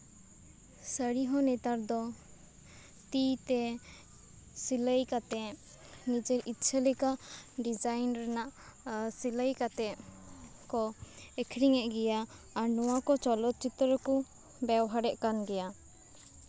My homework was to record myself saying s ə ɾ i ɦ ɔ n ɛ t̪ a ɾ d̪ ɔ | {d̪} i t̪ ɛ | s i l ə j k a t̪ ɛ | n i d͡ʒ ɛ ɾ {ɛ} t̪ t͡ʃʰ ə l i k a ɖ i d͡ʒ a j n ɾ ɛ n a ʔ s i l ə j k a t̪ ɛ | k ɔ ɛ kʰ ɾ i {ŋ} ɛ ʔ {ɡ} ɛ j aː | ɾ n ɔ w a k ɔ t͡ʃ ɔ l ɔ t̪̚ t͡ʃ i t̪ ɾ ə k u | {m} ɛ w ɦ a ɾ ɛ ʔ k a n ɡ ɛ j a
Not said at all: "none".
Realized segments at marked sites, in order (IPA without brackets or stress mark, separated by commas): t̪, i, ŋ, ɡ, b